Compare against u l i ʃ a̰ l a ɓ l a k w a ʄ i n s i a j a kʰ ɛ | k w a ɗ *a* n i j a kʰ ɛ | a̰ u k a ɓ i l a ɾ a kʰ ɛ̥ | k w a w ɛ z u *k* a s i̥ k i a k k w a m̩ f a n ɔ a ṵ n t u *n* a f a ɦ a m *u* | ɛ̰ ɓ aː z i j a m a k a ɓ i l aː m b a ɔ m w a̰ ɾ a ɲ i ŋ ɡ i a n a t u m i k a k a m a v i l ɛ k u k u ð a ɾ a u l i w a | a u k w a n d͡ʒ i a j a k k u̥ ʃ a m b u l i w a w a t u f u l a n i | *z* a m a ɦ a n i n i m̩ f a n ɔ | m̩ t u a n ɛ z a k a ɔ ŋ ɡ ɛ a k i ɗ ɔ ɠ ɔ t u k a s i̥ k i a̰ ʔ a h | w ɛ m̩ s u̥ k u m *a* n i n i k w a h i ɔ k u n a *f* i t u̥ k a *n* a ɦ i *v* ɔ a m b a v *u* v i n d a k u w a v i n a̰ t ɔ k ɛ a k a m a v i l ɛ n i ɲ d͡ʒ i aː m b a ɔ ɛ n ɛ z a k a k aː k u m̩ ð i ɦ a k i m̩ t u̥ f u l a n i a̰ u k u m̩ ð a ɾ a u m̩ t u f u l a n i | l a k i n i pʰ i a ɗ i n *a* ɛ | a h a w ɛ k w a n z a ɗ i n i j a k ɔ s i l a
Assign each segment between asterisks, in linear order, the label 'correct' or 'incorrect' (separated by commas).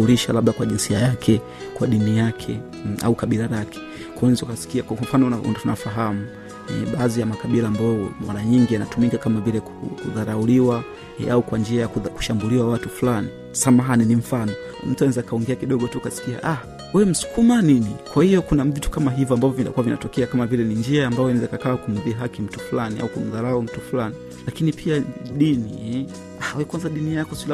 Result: incorrect, correct, correct, correct, incorrect, correct, incorrect, incorrect, correct, incorrect, incorrect